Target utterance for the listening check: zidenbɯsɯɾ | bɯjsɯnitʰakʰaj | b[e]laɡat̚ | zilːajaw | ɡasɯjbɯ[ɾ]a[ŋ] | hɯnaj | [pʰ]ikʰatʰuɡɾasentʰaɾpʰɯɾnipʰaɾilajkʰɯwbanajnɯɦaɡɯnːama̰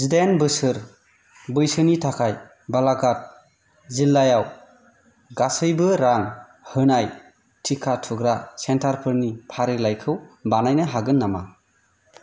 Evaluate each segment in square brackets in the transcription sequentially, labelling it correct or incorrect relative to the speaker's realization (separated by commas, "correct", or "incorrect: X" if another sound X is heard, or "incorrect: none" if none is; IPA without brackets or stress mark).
incorrect: a, correct, correct, incorrect: tʰ